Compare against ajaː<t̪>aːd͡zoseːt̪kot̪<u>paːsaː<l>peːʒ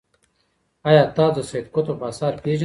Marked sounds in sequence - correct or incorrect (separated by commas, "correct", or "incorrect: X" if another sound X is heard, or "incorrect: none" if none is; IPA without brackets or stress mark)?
correct, incorrect: o, incorrect: ɾ